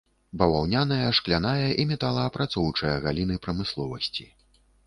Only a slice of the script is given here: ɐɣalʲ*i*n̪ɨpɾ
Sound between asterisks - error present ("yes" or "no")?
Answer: no